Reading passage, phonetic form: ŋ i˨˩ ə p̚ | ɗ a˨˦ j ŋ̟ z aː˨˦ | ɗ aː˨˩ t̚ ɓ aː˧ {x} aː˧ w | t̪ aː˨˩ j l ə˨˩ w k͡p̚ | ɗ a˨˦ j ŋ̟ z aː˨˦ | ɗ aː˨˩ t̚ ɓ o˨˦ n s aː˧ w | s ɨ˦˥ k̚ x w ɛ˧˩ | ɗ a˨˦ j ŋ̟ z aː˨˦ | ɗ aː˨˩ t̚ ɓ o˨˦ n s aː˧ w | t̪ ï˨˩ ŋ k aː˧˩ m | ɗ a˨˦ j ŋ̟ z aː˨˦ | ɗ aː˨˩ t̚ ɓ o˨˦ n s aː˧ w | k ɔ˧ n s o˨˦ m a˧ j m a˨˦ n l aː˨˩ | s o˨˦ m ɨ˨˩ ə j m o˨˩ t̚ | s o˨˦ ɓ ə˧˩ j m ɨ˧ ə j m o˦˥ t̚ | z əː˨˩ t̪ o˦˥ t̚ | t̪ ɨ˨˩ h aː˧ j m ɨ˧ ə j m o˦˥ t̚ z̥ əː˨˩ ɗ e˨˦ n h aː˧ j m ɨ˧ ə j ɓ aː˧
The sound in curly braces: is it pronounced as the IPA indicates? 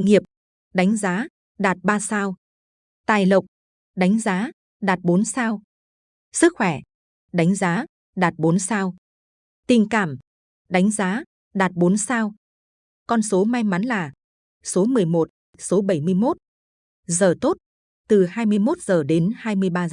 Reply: no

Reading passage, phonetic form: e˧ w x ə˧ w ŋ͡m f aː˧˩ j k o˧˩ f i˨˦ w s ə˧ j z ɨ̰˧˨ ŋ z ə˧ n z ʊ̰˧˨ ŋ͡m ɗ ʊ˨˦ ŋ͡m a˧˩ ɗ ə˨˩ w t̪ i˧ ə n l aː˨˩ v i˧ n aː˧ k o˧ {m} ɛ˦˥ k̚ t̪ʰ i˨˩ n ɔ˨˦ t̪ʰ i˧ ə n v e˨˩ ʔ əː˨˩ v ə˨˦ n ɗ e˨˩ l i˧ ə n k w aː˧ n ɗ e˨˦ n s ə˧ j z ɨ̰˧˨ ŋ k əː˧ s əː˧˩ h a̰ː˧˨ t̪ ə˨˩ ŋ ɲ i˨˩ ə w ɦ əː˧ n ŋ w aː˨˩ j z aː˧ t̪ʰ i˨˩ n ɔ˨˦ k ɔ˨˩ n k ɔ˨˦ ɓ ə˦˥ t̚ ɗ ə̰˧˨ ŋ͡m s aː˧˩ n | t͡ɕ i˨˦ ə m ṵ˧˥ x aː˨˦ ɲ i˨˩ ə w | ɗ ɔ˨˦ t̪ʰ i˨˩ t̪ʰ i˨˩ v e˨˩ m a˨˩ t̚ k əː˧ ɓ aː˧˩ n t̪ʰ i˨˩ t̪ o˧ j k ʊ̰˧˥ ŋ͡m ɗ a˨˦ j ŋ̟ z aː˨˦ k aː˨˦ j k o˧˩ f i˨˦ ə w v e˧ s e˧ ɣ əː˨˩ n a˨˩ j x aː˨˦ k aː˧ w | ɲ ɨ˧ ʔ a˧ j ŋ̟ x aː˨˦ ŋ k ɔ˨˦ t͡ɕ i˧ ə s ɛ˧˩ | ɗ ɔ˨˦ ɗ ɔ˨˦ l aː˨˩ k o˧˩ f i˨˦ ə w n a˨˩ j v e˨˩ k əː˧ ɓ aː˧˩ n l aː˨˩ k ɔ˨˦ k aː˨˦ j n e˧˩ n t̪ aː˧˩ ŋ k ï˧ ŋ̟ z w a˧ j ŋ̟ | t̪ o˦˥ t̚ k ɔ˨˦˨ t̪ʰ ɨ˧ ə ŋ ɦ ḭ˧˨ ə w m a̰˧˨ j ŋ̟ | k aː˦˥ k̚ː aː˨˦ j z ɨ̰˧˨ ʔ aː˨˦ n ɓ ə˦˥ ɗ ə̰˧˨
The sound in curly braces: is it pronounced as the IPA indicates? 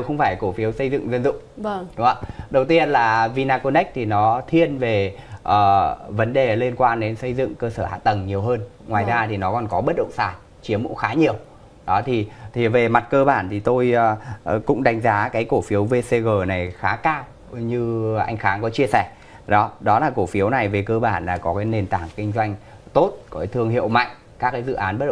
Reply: no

